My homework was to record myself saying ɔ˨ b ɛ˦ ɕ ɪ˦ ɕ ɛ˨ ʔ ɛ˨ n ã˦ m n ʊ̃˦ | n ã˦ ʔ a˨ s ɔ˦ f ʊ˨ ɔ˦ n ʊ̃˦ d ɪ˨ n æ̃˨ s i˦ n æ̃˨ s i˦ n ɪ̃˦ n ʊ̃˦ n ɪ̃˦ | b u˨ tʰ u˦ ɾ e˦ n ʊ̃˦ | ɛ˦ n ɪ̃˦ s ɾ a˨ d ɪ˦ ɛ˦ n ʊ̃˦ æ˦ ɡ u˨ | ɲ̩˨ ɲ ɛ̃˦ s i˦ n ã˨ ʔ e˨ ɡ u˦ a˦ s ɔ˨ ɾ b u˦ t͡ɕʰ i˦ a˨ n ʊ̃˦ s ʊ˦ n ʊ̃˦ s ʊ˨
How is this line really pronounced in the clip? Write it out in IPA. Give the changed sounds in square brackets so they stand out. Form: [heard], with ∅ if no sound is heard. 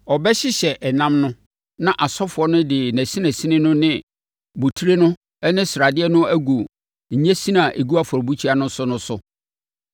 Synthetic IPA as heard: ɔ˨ b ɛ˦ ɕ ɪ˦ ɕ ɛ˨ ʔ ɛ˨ n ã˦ m n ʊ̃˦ | n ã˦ ʔ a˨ s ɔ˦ f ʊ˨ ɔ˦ n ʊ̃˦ d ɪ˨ n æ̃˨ s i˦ n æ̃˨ s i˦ n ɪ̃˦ n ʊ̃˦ n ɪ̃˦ | b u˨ tʰ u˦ ɾ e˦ n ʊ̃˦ | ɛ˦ n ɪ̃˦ s ɾ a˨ d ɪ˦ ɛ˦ n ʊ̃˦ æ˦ ɡ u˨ | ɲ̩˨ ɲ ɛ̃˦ s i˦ n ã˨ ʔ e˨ ɡ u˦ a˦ [f] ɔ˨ ɾ b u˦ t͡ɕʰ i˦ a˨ n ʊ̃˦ s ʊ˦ n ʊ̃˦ s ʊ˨